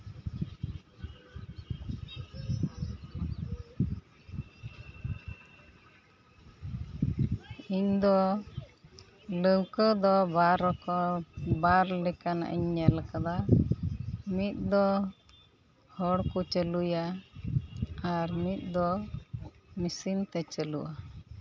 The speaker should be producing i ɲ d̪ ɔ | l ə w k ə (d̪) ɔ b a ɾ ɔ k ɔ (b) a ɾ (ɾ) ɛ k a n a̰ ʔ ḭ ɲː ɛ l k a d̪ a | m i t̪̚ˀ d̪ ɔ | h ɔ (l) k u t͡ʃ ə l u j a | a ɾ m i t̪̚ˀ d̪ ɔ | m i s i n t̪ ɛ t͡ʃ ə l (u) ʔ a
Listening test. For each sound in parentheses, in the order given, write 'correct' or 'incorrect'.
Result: correct, correct, incorrect: l, incorrect: ɽ, correct

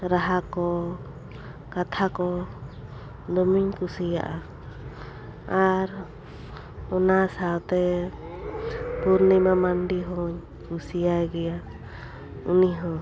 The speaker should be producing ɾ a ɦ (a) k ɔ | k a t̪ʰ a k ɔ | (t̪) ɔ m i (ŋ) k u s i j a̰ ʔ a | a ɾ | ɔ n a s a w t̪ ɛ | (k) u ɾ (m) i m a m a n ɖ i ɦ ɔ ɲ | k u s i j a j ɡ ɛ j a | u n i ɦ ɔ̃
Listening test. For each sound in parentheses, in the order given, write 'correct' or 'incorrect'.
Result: correct, incorrect: d̪, incorrect: ɲ, incorrect: p, incorrect: n

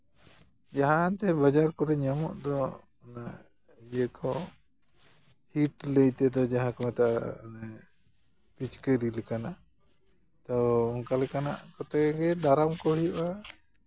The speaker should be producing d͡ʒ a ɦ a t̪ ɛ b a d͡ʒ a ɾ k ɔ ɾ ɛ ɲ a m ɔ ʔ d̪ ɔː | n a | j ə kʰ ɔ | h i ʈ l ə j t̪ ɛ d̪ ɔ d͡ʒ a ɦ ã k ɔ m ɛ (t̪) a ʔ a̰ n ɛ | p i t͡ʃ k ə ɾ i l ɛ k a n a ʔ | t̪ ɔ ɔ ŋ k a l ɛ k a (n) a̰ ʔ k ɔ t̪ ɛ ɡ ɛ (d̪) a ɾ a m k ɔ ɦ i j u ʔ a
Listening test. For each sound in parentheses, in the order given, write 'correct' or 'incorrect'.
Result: correct, correct, correct

